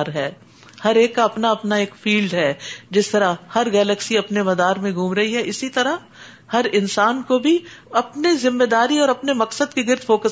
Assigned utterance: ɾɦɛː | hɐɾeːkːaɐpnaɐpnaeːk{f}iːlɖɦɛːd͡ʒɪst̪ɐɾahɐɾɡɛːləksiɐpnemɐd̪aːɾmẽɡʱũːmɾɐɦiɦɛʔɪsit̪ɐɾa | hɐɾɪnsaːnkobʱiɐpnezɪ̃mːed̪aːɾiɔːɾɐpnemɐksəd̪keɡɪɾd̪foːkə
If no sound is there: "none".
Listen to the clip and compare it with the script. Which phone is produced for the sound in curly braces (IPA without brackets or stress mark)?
f